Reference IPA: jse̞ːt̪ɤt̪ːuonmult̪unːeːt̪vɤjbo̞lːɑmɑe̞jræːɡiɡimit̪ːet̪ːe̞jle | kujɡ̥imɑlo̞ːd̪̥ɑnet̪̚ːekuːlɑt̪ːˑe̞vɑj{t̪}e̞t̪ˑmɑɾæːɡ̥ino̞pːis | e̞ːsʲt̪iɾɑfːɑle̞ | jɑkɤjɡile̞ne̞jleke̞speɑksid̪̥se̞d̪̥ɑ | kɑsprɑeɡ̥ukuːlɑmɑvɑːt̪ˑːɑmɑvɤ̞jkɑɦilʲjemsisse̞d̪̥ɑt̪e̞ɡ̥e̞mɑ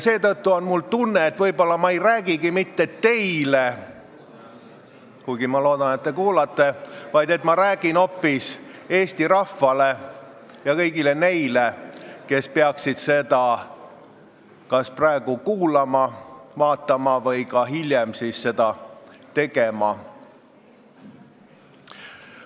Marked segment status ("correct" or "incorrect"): incorrect